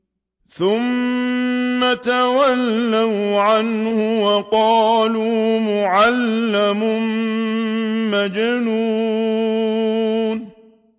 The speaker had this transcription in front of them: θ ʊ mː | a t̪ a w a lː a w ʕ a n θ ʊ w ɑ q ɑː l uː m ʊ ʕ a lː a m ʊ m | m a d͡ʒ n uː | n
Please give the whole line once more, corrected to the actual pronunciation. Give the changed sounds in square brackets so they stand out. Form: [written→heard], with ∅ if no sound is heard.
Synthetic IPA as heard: θ ʊ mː | a t̪ a w a lː a w ʕ a n [θ→h] ʊ w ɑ q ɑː l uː m ʊ ʕ a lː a m ʊ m | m a d͡ʒ n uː | n